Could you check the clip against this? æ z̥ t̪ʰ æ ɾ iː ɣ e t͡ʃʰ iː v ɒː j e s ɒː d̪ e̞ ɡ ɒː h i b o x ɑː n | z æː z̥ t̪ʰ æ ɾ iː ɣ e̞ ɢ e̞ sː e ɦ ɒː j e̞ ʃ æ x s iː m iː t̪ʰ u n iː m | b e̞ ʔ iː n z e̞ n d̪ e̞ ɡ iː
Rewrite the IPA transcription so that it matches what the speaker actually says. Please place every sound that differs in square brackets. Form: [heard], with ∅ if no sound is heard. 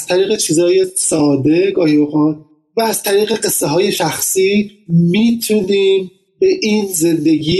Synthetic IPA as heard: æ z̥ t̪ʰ æ ɾ iː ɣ e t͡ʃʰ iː [z] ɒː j e s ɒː d̪ e̞ ɡ ɒː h i b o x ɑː n | [v] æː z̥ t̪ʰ æ ɾ iː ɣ e̞ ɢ e̞ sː e ɦ ɒː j e̞ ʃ æ x s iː m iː t̪ʰ u n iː m | b e̞ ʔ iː n z e̞ n d̪ e̞ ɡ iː